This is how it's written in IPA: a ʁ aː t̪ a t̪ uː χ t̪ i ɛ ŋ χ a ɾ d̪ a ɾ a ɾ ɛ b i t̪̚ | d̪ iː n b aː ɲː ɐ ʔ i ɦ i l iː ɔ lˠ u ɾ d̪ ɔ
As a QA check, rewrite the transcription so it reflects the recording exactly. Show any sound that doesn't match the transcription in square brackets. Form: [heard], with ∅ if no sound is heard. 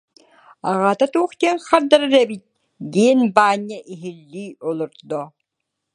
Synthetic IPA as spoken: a ʁ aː t̪ a t̪ uː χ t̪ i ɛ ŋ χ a ɾ d̪ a ɾ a ɾ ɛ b i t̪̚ | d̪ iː n b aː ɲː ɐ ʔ i ɦ i [lː] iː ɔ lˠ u ɾ d̪ ɔ